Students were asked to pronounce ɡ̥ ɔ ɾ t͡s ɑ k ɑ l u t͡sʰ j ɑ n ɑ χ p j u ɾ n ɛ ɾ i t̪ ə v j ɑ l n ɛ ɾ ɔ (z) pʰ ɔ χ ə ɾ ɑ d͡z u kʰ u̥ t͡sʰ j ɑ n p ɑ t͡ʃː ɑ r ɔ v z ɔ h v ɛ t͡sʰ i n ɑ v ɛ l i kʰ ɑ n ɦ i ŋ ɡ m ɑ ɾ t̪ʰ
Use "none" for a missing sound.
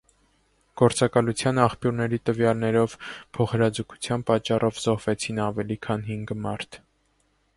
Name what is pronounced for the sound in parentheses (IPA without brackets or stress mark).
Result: v